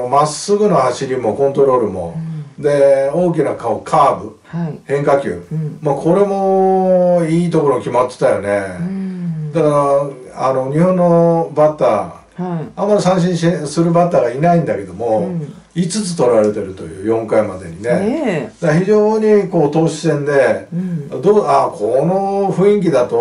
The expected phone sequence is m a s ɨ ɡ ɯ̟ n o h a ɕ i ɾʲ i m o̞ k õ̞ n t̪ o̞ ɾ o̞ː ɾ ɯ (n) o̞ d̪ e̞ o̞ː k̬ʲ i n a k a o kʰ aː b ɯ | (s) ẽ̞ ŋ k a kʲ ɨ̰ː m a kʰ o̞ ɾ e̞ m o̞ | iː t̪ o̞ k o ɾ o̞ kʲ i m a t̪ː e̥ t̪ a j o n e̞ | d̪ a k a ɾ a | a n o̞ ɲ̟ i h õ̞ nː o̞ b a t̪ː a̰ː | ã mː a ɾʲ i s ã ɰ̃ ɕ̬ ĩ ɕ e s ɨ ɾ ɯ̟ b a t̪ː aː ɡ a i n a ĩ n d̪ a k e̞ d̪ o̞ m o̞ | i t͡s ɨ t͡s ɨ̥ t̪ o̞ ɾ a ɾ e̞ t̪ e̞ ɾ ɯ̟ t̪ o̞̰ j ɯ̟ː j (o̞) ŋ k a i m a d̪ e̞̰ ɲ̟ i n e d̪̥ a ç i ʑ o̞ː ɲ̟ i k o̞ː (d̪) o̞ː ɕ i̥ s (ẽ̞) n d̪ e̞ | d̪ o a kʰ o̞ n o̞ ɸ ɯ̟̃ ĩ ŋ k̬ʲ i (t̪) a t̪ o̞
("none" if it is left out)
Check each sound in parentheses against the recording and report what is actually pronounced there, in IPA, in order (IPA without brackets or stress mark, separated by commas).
m, h, õ̞, t̪, ẽ̞, d̪